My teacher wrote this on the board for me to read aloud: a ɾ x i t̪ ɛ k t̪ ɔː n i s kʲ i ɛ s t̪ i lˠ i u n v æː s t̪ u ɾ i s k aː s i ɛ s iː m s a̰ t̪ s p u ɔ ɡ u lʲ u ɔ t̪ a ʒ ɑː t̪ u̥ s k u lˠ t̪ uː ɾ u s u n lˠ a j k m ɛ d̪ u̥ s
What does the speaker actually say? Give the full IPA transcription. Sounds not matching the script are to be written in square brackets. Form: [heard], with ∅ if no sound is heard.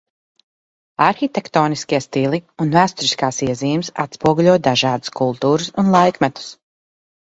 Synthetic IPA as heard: a ɾ x i t̪ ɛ k t̪ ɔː n i s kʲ i ɛ s t̪ i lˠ i u n v æː s t̪ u ɾ i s k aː s i ɛ [z] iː m s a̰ t̪ s p u ɔ ɡ u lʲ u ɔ [d̪] a ʒ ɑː [d̪] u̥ s k u lˠ t̪ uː ɾ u s u n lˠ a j k m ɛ [t̪] u̥ s

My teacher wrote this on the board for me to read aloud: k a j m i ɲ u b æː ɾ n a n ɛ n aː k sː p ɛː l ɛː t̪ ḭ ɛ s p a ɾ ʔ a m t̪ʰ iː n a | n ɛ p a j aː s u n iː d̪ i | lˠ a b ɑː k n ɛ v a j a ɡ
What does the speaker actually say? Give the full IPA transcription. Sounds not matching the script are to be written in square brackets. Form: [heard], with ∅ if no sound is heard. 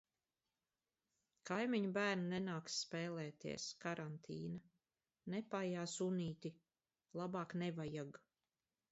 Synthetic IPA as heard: k a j m i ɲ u b æː ɾ n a n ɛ n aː k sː p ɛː l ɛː t̪ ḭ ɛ s [k] a ɾ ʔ a [n] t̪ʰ iː n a | n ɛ p a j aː s u n iː [t̪] i | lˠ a b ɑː k n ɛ v a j a ɡ

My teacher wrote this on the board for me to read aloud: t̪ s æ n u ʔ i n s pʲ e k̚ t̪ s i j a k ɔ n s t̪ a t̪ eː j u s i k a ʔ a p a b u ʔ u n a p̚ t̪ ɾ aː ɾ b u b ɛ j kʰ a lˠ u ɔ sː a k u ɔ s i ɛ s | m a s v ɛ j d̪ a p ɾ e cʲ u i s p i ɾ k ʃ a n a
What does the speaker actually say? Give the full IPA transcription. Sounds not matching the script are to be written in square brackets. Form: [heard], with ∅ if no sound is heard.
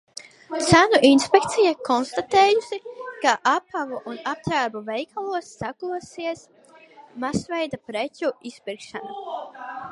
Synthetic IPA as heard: t̪ s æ n u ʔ i n s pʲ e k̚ t̪ s i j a k ɔ n s t̪ a t̪ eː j u s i k a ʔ a p a [v] u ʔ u n a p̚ t̪ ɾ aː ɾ b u [v] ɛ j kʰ a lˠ u ɔ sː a k u ɔ s i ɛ s | m a s v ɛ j d̪ a p ɾ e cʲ u i s p i ɾ k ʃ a n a

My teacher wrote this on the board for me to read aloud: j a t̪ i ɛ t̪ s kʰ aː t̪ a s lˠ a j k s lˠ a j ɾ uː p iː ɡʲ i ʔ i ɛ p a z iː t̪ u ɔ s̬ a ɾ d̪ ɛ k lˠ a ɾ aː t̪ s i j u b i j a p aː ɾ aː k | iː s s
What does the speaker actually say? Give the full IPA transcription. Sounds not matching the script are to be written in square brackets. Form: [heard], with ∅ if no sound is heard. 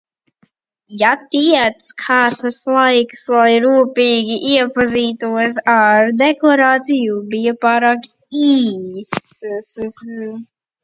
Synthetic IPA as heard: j a t̪ i ɛ t̪ s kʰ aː t̪ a s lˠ a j k s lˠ a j ɾ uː p iː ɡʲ i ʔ i ɛ p a z iː t̪ u ɔ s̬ a ɾ d̪ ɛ k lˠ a ɾ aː t̪ s i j u b i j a p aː ɾ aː k | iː s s

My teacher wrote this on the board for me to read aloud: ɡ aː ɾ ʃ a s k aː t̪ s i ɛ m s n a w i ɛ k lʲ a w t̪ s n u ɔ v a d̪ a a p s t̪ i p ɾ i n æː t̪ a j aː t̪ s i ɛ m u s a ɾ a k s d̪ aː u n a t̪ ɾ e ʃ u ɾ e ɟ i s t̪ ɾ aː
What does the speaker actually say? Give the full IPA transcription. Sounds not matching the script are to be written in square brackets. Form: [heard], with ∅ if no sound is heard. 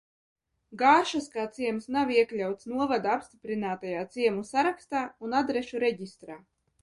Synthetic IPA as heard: ɡ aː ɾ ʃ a s k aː t̪ s i ɛ m s n a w i ɛ k lʲ a w t̪ s n u ɔ v a d̪ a a p s t̪ i p ɾ i n [aː] t̪ a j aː t̪ s i ɛ m u s a ɾ a k s [t̪] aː u n a [d̪] ɾ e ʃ u ɾ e ɟ i s t̪ ɾ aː

